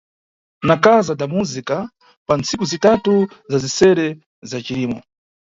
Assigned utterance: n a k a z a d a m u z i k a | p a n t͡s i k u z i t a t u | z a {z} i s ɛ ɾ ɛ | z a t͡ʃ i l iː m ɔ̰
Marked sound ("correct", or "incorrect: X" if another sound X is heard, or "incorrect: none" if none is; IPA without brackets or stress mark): correct